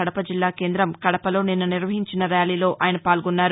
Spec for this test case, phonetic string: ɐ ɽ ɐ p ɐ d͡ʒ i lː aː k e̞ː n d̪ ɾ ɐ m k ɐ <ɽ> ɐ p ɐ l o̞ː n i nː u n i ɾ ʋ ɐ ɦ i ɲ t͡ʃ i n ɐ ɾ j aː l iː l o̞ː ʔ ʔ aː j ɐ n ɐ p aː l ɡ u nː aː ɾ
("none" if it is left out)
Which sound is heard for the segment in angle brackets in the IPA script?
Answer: ɽ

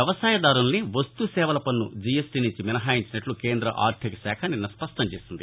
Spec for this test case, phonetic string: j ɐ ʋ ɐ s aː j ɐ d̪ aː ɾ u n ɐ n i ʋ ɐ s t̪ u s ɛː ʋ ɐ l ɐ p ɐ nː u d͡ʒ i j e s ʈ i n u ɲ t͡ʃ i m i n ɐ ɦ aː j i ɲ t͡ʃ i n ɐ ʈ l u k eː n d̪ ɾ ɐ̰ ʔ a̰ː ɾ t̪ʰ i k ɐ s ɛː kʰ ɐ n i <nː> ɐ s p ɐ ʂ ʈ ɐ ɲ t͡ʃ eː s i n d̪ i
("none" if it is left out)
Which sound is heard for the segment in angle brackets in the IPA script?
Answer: nː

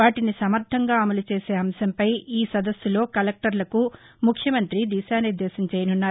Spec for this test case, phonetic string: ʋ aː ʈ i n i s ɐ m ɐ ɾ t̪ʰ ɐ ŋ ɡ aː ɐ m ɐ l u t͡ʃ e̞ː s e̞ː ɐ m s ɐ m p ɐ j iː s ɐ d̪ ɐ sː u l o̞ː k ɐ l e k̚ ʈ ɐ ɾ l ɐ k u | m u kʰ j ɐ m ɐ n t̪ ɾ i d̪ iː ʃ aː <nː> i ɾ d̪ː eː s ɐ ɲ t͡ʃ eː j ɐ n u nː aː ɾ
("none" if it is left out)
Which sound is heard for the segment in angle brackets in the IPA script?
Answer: n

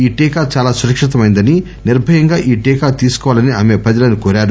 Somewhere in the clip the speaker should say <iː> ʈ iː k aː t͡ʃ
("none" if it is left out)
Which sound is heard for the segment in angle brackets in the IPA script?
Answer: iː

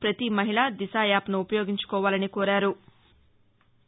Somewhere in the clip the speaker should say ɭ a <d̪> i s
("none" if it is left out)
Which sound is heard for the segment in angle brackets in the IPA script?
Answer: d̪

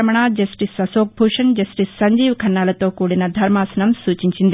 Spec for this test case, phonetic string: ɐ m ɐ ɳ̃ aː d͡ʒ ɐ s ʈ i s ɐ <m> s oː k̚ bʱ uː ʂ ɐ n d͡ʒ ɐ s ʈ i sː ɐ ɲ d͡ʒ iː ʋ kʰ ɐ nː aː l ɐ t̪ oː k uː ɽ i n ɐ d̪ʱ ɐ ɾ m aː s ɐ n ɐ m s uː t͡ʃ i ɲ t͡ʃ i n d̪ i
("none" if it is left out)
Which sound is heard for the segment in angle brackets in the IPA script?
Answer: none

